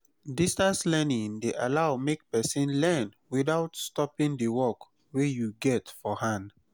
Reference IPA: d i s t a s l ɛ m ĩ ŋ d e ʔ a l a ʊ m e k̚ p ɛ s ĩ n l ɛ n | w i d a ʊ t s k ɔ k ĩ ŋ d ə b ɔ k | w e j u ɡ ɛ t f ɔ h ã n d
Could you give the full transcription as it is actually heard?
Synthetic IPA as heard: d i s t a s l ɛ n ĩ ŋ d e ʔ a l a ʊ m e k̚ p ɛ s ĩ n l ɛ n | w i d a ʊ t s t ɔ p ĩ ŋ d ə w ɔ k | w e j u ɡ ɛ t f ɔ h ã n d